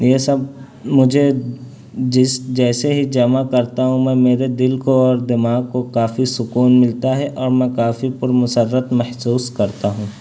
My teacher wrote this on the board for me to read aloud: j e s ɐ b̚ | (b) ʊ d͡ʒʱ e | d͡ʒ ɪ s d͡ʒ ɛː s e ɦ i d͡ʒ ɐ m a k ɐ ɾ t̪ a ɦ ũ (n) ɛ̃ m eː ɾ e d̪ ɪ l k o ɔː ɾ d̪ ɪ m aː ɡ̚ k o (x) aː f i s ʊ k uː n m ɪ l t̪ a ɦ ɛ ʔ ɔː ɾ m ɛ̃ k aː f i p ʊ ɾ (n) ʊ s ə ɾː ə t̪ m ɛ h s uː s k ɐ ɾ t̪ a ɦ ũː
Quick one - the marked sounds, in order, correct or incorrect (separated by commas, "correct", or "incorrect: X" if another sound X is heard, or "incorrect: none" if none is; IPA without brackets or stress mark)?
incorrect: m, incorrect: m, incorrect: k, incorrect: m